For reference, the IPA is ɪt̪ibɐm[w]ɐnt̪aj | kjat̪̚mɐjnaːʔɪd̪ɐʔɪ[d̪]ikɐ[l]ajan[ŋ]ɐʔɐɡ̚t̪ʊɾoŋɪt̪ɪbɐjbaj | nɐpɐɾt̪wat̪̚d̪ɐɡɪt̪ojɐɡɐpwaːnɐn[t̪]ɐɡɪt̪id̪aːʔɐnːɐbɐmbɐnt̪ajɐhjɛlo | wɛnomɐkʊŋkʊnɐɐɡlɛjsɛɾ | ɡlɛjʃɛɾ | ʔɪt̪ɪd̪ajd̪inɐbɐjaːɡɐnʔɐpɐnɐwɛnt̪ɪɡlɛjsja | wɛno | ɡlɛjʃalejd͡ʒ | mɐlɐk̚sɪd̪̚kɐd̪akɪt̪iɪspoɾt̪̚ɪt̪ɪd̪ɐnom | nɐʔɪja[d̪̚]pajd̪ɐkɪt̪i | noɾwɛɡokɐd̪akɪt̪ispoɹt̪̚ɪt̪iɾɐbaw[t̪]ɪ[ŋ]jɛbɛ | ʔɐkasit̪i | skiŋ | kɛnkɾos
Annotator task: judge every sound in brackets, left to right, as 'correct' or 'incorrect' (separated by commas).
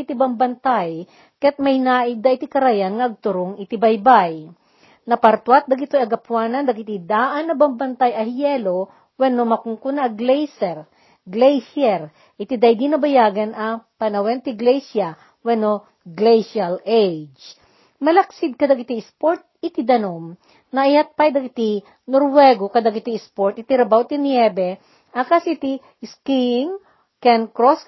incorrect, incorrect, incorrect, correct, incorrect, incorrect, correct, incorrect